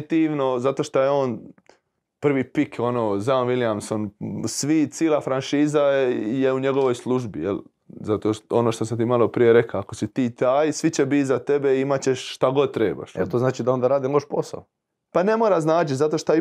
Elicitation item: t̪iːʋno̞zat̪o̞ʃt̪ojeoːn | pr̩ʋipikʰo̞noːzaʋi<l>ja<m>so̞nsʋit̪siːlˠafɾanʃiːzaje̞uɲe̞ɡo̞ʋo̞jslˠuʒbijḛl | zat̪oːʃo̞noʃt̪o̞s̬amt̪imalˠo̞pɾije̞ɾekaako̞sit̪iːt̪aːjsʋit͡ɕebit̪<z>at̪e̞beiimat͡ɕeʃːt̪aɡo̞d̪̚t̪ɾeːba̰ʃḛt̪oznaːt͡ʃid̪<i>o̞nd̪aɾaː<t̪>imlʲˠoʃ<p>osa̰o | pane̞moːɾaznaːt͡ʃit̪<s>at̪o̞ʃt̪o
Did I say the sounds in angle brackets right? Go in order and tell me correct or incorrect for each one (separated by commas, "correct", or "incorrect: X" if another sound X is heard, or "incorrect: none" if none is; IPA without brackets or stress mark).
correct, correct, correct, incorrect: a, incorrect: d̪, correct, incorrect: z